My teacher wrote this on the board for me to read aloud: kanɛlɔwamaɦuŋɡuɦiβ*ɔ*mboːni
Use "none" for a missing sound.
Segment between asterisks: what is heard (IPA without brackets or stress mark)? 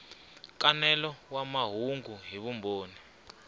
u